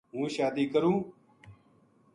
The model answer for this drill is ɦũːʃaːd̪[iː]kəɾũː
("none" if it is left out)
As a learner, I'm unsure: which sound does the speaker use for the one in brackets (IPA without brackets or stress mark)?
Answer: iː